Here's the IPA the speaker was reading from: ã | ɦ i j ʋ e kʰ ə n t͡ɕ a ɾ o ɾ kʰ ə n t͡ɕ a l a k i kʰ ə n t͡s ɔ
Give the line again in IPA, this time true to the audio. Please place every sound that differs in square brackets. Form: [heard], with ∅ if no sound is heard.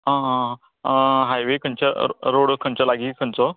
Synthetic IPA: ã | ɦ [a] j ʋ e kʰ ə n t͡ɕ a ɾ o [ɽ] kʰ ə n t͡ɕ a l a [ɡ] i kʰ ə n t͡s ɔ